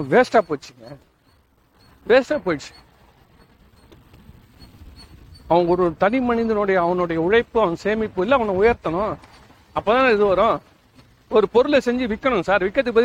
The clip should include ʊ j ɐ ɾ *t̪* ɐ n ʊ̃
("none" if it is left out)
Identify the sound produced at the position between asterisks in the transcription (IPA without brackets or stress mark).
t̪